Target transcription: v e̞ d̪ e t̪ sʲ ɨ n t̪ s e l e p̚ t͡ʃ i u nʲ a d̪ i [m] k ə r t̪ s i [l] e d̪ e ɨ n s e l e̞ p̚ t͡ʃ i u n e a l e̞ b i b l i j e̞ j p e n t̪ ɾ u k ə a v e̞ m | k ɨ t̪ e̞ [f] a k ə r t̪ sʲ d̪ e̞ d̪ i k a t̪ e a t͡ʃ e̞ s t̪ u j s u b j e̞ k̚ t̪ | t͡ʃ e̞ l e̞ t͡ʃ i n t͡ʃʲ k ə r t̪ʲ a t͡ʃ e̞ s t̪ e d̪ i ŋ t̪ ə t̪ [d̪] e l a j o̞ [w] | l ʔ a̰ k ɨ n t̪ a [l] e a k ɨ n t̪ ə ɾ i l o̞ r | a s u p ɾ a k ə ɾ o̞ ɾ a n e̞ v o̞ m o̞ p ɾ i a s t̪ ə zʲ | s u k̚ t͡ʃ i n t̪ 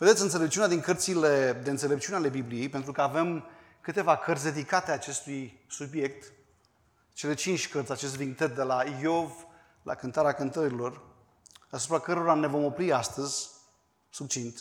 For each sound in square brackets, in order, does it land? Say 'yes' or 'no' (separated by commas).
no, yes, no, yes, no, no